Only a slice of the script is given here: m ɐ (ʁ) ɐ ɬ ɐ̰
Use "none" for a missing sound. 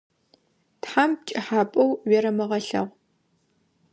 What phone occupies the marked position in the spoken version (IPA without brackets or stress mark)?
ʁ